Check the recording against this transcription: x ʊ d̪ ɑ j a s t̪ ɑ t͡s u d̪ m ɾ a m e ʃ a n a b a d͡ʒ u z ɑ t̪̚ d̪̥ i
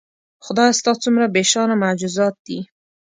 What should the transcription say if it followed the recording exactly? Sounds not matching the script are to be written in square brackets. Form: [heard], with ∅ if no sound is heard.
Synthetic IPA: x ʊ d̪ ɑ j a s t̪ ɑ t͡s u [∅] m ɾ a [b] e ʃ [ɑ] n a [m] a d͡ʒ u z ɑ t̪̚ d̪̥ i